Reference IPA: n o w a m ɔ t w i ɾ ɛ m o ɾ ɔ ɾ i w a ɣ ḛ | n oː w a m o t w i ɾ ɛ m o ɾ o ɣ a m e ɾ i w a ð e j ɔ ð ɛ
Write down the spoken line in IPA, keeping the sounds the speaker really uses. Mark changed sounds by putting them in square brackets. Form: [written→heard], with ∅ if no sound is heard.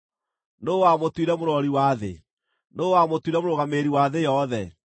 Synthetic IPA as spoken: n o w a m [ɔ→o] t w i ɾ ɛ m o ɾ ɔ ɾ i w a [ɣ→ð] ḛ | n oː w a m o t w i ɾ ɛ m o ɾ o ɣ a m e ɾ i w a ð e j ɔ ð ɛ